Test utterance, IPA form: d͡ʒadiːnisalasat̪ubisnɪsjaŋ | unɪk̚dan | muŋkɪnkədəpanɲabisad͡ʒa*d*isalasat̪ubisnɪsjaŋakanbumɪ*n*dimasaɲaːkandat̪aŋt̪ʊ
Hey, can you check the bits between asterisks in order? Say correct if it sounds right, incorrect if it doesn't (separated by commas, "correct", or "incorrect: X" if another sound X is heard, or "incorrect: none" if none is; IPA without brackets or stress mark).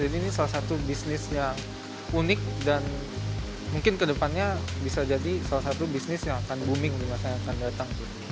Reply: correct, incorrect: ŋ